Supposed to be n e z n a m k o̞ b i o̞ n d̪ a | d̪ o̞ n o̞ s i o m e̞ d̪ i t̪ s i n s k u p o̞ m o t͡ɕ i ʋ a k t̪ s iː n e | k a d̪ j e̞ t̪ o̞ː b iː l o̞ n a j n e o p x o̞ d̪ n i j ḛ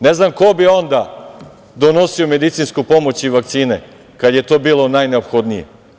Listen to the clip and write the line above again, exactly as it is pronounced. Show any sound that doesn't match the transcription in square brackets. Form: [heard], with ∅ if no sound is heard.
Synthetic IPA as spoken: n e z n a m k o̞ b i o̞ n d̪ a | d̪ o̞ n o̞ s i o m e̞ d̪ i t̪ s i n s k u p o̞ m o t͡ɕ i ʋ a k t̪ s iː n e | k a d̪ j e̞ t̪ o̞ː b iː l o̞ n a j n e o p x o̞ d̪ n i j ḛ